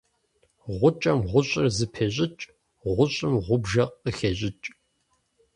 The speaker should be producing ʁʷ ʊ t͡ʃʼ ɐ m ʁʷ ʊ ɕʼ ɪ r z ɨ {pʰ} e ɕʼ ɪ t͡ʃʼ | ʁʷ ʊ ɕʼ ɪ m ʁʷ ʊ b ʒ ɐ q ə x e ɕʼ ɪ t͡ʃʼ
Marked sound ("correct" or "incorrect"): correct